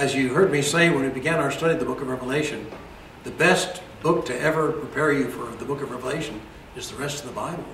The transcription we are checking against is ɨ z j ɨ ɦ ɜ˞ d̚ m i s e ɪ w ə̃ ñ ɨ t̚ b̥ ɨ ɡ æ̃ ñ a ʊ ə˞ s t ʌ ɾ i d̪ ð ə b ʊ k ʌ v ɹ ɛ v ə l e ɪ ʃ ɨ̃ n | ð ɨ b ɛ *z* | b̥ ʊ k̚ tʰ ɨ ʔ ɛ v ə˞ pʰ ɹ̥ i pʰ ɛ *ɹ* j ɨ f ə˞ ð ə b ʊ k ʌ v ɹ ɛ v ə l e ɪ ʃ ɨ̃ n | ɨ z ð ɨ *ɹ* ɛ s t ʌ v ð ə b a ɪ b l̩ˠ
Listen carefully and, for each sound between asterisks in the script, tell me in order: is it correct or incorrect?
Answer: incorrect: s, correct, correct

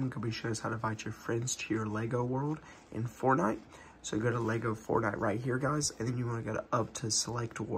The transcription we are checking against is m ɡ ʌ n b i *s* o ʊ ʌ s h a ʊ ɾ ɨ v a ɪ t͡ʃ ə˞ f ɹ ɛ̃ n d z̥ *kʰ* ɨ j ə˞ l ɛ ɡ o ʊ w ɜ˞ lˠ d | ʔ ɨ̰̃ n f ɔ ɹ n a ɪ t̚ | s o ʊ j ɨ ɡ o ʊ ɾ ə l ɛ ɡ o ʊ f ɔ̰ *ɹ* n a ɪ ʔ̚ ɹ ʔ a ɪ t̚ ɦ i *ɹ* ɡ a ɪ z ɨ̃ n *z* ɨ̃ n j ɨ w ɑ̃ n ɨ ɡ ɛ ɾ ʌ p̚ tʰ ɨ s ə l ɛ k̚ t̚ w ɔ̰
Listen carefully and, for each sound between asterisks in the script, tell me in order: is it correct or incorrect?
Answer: incorrect: ʃ, incorrect: tʰ, correct, correct, incorrect: ð

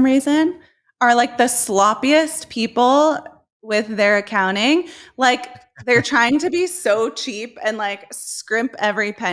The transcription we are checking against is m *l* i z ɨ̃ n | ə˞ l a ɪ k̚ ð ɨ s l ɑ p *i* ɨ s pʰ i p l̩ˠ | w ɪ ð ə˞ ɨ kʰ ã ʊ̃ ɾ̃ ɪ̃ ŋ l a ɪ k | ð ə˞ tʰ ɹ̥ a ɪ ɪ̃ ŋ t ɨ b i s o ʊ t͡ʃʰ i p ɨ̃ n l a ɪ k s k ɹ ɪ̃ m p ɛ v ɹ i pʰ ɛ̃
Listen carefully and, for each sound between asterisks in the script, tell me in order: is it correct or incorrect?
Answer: incorrect: ɹ, correct

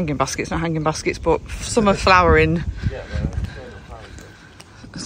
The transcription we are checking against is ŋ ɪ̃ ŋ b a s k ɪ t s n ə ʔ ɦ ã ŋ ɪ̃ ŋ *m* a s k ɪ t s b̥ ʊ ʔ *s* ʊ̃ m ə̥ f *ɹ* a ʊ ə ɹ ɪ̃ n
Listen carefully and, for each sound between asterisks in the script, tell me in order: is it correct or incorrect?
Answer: incorrect: b, correct, incorrect: l

